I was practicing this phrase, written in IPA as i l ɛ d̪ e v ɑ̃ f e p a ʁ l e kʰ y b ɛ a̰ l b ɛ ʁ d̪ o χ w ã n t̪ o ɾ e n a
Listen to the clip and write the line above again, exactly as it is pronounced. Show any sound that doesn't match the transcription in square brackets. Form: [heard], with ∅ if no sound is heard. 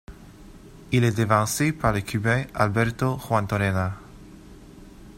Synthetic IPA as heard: i l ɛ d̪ e v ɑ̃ [s] e p a ʁ l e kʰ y b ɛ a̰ l b ɛ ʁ [t̪] o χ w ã n t̪ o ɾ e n a